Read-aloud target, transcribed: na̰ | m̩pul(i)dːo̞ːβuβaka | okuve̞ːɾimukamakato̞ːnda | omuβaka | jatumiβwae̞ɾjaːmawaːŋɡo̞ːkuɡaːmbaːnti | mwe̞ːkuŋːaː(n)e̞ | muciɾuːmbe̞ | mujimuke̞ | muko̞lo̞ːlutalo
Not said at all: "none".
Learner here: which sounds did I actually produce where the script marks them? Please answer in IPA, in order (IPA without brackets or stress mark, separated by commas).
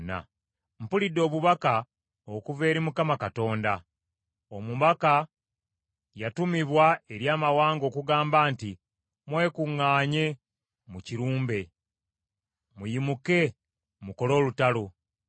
i, ɲ